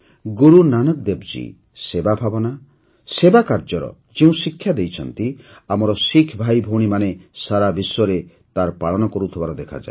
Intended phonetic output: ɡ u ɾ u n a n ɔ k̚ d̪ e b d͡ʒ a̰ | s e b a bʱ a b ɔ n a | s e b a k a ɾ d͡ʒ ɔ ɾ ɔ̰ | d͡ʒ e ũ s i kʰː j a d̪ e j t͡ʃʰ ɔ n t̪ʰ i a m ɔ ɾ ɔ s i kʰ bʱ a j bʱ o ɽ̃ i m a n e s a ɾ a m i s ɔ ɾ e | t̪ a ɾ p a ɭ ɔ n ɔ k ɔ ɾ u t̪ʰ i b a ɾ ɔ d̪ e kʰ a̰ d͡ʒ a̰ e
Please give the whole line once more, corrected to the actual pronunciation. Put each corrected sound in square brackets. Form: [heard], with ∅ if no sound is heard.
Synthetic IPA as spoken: ɡ u ɾ u n a n ɔ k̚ d̪ e b d͡ʒ [ḭ] | s e b a bʱ a b ɔ n a | s e b a k a ɾ d͡ʒ ɔ ɾ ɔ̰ | d͡ʒ e ũ s i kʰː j a d̪ e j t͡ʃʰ ɔ n [t̪] i a m ɔ ɾ ɔ s i kʰ bʱ a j bʱ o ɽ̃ i m a n e s a ɾ a [b] i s ɔ ɾ e | t̪ a ɾ p a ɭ ɔ n ɔ k ɔ ɾ u t̪ʰ i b a ɾ ɔ d̪ e kʰ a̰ d͡ʒ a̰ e

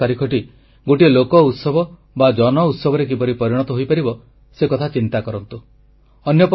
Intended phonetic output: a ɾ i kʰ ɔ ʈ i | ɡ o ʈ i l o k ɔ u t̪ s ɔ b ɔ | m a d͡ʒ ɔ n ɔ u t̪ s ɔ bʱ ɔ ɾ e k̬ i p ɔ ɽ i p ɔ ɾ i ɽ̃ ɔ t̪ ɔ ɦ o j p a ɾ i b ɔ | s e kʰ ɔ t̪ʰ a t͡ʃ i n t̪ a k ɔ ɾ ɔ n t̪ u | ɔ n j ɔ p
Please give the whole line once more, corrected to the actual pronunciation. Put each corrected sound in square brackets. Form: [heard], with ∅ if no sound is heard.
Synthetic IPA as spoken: a ɾ i kʰ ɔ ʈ i | ɡ o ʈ i l o k ɔ u t̪ s ɔ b ɔ | [b] a d͡ʒ ɔ n ɔ u t̪ s ɔ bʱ ɔ ɾ e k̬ i p ɔ [ɾ] i p ɔ ɾ i ɽ̃ ɔ t̪ ɔ ɦ o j p a ɾ i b ɔ | s e [k] ɔ t̪ʰ a t͡ʃ i n t̪ a k ɔ ɾ ɔ n t̪ u | ɔ n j ɔ p

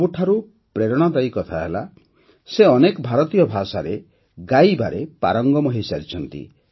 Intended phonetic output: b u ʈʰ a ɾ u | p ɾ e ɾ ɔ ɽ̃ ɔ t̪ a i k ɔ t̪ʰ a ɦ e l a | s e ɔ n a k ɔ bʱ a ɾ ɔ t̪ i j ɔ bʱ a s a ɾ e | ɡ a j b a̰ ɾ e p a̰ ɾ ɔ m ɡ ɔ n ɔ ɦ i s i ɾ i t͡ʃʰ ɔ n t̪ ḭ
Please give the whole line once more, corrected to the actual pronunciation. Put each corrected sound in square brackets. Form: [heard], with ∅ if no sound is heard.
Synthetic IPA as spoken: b u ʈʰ a ɾ u | p ɾ e ɾ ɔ ɽ̃ ɔ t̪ a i k ɔ t̪ʰ a ɦ e l a | s e ɔ n [e] k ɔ bʱ a ɾ ɔ t̪ i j ɔ bʱ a s a ɾ e | ɡ a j b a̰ ɾ e p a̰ ɾ ɔ [ŋ] ɡ ɔ [m] ɔ ɦ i s [a] ɾ i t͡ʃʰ ɔ n t̪ ḭ

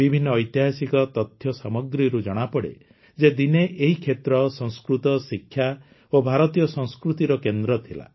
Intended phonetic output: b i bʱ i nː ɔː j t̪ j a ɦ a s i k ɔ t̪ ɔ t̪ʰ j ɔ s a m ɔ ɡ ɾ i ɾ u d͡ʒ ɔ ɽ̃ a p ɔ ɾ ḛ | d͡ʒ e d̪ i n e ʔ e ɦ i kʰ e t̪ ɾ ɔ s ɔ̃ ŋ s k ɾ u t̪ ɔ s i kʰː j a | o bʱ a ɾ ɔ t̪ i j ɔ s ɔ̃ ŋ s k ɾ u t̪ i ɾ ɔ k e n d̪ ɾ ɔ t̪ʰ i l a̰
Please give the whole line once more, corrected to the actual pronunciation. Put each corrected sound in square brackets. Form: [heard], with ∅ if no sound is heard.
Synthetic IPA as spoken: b i bʱ i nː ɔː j t̪ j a ɦ a s i k ɔ t̪ ɔ t̪ʰ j ɔ s a m ɔ ɡ ɾ i ɾ u d͡ʒ ɔ ɽ̃ a p ɔ [ɽ] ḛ | d͡ʒ e d̪ i n e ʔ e ɦ i kʰ e t̪ ɾ ɔ s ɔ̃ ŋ s k ɾ u t̪ ɔ s i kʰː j a | o bʱ a ɾ ɔ t̪ i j ɔ s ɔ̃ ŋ s k ɾ u t̪ i ɾ ɔ k e n d̪ ɾ ɔ t̪ʰ i l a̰

